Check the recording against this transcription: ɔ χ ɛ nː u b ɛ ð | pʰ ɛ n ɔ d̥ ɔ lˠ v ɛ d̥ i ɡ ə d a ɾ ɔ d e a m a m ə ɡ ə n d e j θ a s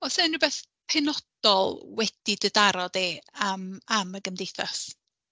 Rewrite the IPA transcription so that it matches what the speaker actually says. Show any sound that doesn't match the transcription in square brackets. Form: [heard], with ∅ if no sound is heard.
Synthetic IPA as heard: ɔ [s] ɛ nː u b ɛ [θ] | pʰ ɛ n ɔ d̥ ɔ lˠ [w] ɛ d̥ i [d] ə d a ɾ ɔ d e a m a m ə ɡ ə [m] d e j θ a s